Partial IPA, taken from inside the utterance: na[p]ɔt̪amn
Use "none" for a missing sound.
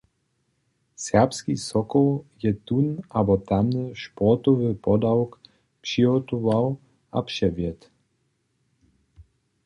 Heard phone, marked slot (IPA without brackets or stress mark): b